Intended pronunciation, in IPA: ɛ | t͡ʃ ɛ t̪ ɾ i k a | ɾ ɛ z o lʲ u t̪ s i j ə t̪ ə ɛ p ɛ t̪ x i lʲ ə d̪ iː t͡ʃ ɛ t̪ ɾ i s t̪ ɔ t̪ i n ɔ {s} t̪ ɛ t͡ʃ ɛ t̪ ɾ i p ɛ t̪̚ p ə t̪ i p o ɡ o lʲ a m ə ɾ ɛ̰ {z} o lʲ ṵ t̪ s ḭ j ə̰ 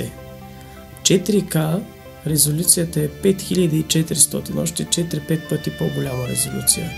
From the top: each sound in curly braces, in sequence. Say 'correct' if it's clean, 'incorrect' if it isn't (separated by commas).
incorrect, correct